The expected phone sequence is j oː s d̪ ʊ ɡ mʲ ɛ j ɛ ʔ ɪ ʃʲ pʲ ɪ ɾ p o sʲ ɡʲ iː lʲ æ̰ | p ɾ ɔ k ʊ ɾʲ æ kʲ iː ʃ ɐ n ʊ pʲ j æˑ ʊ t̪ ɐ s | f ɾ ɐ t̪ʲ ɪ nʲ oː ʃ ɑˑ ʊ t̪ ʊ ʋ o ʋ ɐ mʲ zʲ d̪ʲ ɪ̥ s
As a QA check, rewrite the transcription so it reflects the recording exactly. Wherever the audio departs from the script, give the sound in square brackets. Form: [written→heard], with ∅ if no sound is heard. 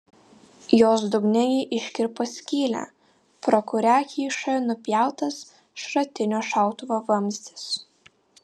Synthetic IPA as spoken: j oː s d̪ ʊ ɡ [mʲ→nʲ] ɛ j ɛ ʔ ɪ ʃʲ [pʲ→kʲ] ɪ ɾ p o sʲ [ɡʲ→kʲ] iː lʲ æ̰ | p ɾ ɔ k ʊ ɾʲ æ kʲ iː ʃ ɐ n ʊ pʲ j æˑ ʊ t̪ ɐ s | [f→ʃ] ɾ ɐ t̪ʲ ɪ nʲ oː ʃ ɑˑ ʊ t̪ ʊ ʋ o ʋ ɐ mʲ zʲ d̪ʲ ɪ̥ s